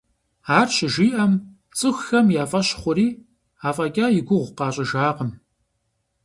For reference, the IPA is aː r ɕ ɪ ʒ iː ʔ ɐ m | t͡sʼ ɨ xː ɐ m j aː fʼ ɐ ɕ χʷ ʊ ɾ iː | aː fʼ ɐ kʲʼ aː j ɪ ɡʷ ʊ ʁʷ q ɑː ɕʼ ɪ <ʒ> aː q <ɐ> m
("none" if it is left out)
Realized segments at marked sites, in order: ʒ, ə

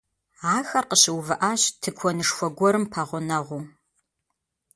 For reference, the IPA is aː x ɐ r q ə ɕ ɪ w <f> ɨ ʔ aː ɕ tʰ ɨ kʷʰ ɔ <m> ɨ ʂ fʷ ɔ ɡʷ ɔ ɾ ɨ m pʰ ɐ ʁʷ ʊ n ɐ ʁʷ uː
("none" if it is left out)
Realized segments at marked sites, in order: v, n

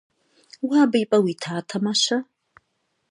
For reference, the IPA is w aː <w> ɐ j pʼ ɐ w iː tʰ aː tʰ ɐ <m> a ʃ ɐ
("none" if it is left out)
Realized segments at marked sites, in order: b, m

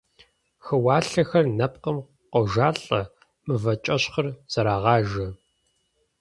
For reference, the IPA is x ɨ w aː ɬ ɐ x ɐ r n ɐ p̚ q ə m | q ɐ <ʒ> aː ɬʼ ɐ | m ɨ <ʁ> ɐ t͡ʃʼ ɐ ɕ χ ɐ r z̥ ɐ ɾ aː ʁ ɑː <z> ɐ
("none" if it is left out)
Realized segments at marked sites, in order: ʒ, v, ʒ

